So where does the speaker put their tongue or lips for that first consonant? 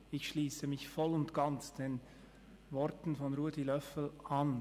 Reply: palate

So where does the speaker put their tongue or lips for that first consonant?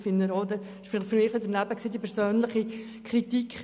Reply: lips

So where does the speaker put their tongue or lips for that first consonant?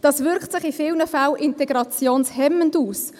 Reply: tongue tip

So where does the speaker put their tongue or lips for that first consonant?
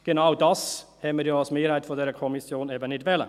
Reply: velum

